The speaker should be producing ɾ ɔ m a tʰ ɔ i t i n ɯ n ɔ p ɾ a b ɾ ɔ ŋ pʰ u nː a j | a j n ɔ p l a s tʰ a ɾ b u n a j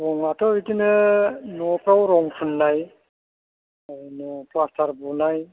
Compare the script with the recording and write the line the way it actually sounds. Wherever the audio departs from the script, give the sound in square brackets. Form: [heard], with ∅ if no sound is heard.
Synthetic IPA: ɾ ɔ [ŋ] a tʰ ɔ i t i n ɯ n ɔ p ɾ a [w] ɾ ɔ ŋ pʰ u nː a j | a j n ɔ p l a s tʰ a ɾ b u n a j

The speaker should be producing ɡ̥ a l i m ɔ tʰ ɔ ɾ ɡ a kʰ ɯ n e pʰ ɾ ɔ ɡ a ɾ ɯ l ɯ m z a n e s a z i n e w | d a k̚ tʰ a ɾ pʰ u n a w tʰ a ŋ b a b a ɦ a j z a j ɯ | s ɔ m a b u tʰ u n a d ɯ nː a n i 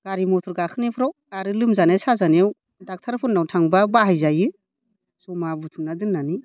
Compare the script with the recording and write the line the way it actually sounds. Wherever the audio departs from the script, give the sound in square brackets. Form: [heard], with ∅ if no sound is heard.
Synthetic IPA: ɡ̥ a [ɾ] i m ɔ tʰ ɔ ɾ ɡ a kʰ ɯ n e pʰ ɾ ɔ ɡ a ɾ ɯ l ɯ m z a n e s a z [a] n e w | d a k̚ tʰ a ɾ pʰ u n a w tʰ a ŋ b a b a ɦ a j z a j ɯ | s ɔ m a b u tʰ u n a d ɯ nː a n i

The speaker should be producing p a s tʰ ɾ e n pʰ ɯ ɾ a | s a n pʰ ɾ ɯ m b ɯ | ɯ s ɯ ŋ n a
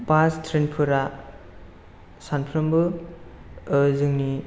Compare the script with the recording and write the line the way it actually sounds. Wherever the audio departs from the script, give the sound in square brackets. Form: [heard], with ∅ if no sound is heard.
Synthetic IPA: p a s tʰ ɾ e n pʰ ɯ ɾ a | s a n pʰ ɾ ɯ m b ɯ | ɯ [z] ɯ ŋ n [i]

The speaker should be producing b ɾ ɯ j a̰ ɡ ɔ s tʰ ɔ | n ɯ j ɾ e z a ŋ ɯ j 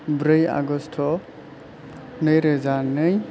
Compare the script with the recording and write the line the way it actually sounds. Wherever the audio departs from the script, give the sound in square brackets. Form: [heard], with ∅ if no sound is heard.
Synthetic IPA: b ɾ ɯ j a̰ ɡ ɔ s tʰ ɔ | n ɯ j ɾ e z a [n] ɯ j

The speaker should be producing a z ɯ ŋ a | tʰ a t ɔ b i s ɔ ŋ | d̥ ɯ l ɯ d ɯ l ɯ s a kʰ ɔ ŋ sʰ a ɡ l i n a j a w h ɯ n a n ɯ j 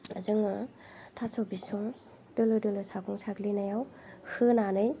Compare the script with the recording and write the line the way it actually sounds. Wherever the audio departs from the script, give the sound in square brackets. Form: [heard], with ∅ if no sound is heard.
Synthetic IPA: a z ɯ ŋ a | tʰ a [s] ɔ b i s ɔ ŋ | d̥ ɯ l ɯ d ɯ l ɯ s a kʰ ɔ ŋ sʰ a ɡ l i n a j a w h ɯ n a n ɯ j

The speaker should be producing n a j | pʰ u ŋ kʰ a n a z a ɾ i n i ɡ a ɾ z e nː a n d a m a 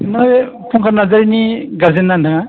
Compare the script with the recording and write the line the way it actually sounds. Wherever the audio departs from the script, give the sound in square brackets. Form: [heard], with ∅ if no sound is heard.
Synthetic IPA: n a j | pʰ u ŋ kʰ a n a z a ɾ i n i ɡ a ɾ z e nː a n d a [ŋ] a

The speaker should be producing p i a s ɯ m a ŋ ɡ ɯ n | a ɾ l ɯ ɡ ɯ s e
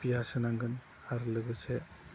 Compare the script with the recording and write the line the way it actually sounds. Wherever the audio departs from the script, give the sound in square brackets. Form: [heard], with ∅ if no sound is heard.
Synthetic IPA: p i a s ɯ [n] a ŋ ɡ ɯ n | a ɾ l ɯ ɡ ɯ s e

